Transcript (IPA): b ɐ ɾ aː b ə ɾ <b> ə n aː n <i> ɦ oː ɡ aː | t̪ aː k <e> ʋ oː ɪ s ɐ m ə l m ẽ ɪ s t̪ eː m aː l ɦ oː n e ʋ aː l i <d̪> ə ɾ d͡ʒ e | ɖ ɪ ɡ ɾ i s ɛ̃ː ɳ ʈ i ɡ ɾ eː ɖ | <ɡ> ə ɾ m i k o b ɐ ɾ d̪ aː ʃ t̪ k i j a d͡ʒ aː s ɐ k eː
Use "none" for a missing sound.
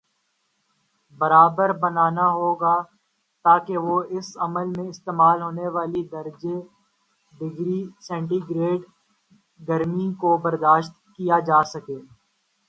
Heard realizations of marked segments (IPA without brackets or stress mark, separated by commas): b, a, e, d̪, ɡ